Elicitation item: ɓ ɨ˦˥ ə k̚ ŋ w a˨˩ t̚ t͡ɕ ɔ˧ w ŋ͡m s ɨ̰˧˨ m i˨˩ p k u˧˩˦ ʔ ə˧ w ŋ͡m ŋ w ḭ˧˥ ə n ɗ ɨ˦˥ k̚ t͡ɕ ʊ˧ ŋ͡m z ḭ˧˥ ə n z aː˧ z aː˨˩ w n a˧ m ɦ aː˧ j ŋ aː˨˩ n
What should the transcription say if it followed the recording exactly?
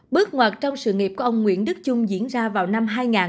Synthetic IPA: ɓ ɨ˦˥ ə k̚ ŋ w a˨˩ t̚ t͡ɕ ɔ˧ w ŋ͡m s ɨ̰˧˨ ŋ i˨˩ p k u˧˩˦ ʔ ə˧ w ŋ͡m ŋ w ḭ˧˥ ə n ɗ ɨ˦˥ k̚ t͡ɕ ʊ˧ ŋ͡m z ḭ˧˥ ə n z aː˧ v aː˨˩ w n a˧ m ɦ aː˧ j ŋ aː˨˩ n